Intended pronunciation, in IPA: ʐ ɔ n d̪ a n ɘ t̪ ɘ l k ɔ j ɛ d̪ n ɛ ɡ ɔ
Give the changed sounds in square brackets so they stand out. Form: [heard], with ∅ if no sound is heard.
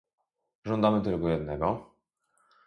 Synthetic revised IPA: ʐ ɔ n d̪ a [m] ɘ t̪ ɘ l k ɔ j ɛ d̪ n ɛ ɡ ɔ